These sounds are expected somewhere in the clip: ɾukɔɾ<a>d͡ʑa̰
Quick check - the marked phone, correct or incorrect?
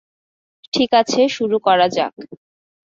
correct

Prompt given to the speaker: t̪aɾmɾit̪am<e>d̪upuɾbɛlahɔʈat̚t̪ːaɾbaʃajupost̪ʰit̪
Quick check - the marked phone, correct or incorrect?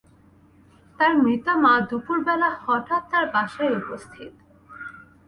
incorrect: a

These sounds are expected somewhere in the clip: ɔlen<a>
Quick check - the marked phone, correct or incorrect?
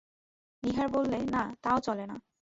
correct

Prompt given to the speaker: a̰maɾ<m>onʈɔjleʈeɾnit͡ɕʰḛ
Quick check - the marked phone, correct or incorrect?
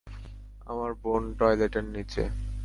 incorrect: b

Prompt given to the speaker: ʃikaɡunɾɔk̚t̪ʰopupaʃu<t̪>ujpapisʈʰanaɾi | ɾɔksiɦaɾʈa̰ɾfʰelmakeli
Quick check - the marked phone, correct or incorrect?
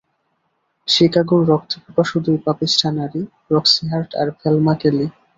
incorrect: d̪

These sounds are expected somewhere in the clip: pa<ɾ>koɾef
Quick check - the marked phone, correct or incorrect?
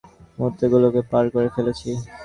correct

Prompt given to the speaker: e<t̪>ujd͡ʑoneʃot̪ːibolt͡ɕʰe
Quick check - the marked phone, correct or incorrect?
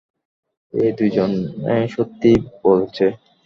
incorrect: d̪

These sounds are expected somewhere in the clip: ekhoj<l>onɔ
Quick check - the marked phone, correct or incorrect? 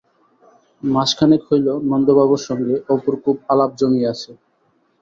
correct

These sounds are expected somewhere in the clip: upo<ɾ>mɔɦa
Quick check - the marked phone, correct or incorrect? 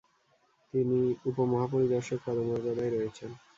incorrect: none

